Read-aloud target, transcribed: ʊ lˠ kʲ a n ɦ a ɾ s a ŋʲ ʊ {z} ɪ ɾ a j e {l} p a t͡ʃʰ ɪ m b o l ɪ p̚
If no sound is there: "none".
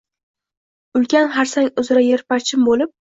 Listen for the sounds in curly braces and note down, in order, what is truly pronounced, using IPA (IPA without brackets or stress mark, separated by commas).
z, ɾ